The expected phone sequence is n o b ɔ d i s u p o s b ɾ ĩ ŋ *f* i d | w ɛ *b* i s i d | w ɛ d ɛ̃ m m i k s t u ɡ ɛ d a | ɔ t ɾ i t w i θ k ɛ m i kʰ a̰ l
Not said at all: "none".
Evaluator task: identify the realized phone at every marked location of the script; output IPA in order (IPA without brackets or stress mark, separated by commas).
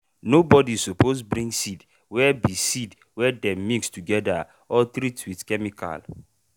s, b